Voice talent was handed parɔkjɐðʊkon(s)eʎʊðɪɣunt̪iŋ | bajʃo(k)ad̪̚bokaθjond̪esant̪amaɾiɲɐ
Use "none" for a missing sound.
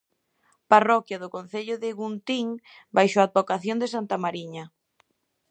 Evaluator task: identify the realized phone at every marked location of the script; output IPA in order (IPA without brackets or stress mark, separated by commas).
θ, none